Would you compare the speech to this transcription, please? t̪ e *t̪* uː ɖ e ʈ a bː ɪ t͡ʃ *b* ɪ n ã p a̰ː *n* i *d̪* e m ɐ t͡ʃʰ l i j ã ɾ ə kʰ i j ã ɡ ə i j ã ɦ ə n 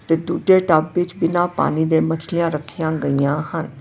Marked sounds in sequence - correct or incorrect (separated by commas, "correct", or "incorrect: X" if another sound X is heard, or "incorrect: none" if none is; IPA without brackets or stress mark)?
incorrect: d̪, correct, correct, correct